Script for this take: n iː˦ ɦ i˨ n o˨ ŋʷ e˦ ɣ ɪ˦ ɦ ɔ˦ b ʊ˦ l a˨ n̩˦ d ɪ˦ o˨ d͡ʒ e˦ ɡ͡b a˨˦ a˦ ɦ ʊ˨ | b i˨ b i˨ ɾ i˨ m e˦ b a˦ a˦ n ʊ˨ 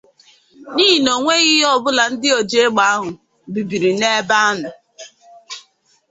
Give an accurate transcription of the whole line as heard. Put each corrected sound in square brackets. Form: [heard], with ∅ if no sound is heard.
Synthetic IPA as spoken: n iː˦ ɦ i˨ n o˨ ŋʷ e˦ ɣ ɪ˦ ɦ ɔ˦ b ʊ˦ l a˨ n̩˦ d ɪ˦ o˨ d͡ʒ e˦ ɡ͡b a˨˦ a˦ ɦ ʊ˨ | b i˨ b i˨ ɾ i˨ [n] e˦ b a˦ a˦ n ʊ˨